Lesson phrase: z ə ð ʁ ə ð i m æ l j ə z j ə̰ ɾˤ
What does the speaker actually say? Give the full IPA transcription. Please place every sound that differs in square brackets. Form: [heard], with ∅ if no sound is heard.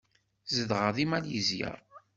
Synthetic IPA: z ə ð ʁ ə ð i m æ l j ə z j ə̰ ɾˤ